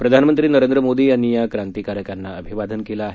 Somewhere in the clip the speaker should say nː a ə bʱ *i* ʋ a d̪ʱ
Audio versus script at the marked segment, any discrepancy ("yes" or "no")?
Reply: no